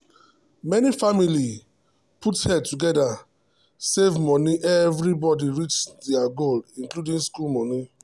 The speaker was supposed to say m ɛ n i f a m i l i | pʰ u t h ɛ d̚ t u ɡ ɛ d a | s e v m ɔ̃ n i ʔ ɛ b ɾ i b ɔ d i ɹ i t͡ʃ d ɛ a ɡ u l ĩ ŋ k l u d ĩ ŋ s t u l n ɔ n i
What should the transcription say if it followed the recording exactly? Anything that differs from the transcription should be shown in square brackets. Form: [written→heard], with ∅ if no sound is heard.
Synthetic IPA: m ɛ n i f a m i l i | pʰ u t h ɛ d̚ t u ɡ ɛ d a | s e v m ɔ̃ n i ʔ ɛ [b→v] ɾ i b ɔ d i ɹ i t͡ʃ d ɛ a ɡ [u→o] l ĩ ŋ k l u d ĩ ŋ s [t→k] u l [n→m] ɔ n i